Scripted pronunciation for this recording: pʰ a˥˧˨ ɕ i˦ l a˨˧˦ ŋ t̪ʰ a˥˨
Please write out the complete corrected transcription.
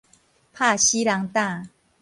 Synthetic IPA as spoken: pʰ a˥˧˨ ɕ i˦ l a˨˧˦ ŋ t̪ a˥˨

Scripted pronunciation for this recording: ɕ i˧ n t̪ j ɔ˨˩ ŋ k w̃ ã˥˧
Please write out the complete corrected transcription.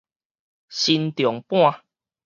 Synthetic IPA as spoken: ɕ i˧ n t̪ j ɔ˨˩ ŋ p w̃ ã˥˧

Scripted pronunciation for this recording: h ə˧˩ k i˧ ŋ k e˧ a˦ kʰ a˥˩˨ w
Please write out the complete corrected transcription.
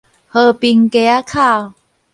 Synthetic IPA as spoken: h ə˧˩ p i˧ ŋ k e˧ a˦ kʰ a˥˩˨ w

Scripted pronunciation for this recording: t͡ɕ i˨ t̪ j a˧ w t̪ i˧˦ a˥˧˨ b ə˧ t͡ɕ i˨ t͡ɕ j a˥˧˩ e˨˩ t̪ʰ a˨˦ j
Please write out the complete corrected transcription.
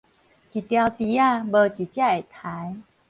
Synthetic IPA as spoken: t͡ɕ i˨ t̪ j a˧ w t̪ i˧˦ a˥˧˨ b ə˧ t͡ɕ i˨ t͡ɕ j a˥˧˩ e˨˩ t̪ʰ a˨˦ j

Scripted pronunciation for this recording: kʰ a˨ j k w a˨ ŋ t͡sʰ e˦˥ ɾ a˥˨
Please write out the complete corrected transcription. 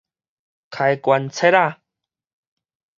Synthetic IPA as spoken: kʰ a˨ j k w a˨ n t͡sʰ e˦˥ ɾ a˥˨

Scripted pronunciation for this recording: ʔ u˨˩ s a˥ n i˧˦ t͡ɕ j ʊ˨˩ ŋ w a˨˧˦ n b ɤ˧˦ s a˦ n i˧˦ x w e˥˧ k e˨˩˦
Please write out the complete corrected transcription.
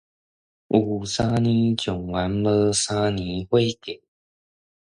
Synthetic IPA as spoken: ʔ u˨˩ s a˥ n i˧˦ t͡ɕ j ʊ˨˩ ŋ w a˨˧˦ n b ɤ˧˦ s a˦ n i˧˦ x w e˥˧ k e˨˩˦

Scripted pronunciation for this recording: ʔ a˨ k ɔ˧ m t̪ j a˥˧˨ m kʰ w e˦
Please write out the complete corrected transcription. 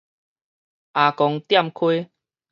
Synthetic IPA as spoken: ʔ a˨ k ɔ˧ ŋ t̪ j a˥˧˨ m kʰ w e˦

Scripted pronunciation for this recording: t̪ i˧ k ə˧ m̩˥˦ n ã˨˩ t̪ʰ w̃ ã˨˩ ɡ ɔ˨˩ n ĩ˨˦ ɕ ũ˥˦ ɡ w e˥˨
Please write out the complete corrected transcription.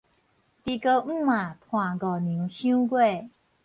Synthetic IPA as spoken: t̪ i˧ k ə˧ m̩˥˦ m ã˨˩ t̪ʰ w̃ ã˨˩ ɡ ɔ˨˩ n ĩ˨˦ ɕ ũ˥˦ ɡ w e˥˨

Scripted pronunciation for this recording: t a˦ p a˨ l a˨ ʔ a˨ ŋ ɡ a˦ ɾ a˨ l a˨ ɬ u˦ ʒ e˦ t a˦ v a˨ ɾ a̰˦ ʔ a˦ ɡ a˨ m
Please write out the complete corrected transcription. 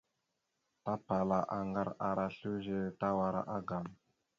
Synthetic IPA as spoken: t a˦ p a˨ l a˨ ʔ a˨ ŋ ɡ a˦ ɾ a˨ ɾ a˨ ɬ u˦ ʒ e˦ t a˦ w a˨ ɾ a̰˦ ʔ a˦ ɡ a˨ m

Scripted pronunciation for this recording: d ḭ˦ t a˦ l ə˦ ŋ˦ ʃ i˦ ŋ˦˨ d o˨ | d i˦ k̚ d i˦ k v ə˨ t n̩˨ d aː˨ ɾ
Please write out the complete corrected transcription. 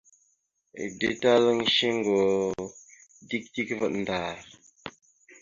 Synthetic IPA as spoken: d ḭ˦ t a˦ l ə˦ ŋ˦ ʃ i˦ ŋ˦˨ ɡ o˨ | d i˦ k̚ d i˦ k v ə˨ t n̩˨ d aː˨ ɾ

